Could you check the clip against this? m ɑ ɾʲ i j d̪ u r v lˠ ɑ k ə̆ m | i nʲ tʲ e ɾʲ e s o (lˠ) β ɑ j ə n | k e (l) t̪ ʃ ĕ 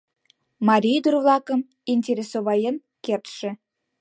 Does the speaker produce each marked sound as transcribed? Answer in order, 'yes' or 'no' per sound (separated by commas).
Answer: no, no